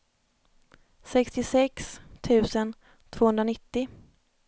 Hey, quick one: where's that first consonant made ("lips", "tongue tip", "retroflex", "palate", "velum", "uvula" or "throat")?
tongue tip